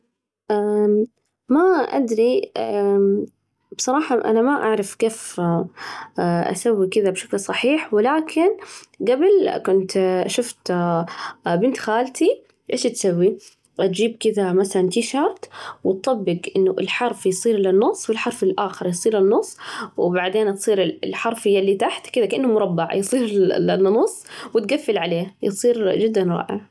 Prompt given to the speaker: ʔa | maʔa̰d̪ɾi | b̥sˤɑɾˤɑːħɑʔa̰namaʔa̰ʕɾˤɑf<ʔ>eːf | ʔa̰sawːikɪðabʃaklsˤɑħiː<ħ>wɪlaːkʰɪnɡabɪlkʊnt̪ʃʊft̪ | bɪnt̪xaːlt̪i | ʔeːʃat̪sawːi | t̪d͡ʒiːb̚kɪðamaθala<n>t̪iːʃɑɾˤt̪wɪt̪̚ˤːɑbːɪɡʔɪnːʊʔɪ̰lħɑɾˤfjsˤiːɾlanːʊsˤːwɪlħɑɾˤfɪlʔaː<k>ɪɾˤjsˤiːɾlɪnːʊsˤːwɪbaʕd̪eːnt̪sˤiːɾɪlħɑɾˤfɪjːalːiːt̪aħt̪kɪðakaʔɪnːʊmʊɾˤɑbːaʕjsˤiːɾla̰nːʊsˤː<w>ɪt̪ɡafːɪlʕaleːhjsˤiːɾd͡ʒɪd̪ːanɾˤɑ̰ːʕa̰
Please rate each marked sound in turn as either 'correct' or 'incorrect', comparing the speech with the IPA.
incorrect: k, correct, correct, incorrect: x, correct

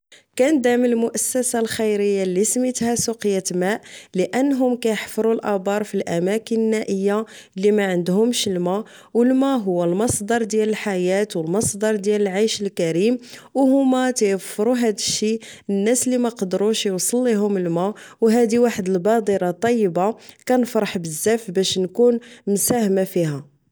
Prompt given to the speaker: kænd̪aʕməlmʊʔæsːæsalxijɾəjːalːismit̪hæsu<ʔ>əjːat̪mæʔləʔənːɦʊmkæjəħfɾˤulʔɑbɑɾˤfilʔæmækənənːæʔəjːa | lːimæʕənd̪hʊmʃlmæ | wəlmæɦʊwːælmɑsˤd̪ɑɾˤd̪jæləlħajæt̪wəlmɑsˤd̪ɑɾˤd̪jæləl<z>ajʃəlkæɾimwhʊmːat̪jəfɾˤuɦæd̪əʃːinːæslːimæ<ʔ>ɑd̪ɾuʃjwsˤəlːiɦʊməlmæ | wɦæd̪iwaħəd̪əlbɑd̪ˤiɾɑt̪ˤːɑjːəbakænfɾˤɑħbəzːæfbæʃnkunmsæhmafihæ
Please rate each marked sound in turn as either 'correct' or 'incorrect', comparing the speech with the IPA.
incorrect: q, incorrect: ʕ, incorrect: q

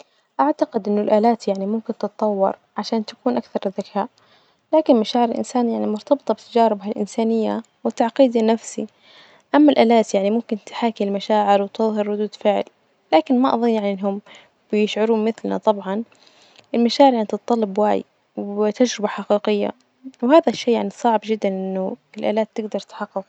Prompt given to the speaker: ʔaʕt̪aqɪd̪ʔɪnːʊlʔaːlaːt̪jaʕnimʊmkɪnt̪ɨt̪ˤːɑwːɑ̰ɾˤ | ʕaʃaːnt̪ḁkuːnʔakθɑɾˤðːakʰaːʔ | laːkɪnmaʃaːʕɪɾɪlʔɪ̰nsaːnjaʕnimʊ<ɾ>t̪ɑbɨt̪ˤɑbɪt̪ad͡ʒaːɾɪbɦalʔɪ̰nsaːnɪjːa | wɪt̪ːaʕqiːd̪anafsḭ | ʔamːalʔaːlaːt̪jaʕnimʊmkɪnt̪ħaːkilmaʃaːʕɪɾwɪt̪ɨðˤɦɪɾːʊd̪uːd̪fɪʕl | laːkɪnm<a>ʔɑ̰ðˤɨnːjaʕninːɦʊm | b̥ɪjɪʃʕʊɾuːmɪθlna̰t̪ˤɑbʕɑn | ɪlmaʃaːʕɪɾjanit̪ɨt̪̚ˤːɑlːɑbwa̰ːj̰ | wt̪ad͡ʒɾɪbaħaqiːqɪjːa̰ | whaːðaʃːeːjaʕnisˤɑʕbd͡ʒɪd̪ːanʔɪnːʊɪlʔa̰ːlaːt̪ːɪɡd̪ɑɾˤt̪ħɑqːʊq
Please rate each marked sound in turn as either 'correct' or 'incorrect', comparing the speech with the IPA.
correct, correct

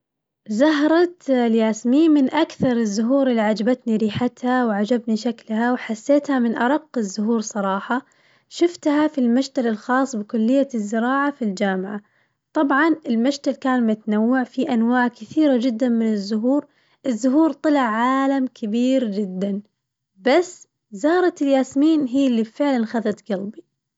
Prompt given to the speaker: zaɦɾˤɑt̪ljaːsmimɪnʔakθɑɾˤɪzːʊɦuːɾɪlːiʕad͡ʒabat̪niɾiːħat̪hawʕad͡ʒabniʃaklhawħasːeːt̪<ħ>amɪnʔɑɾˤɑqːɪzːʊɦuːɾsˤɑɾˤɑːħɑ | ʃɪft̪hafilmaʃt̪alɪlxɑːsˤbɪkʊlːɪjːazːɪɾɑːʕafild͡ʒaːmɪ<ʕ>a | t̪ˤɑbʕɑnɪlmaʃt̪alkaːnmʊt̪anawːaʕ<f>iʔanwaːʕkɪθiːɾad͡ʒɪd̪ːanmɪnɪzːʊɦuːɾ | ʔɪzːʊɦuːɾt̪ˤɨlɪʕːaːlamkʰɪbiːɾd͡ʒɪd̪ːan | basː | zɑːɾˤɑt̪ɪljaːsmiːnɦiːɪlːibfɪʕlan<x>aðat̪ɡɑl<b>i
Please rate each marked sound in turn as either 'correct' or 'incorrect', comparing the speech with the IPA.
incorrect: h, correct, correct, correct, correct

